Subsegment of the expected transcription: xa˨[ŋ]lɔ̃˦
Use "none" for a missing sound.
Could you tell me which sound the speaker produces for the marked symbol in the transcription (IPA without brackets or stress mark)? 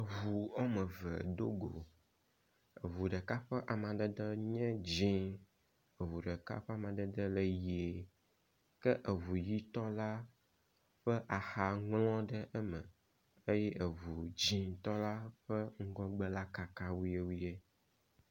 ŋ